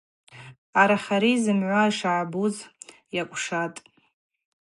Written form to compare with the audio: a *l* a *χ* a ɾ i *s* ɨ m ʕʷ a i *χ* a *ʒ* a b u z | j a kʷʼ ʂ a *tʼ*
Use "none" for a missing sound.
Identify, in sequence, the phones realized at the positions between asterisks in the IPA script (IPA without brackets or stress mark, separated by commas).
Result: ɾ, χ, z, ʂ, ʕ, tʼ